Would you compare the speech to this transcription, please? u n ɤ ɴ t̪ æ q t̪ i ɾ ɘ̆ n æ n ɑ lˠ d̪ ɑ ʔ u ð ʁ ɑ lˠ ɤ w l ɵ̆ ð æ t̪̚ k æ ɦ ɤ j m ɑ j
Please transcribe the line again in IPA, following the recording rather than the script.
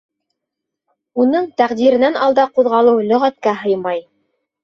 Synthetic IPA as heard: u n ɤ ɴ t̪ æ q d̪ i ɾ ɘ̆ n æ n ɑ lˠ d̪ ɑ q u ð ʁ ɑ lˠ ɤ w l ɵ̆ ʁ æ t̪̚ k æ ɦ ɤ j m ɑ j